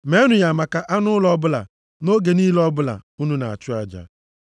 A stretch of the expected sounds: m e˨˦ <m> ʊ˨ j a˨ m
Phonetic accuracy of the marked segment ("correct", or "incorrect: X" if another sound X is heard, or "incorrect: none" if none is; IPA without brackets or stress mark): incorrect: n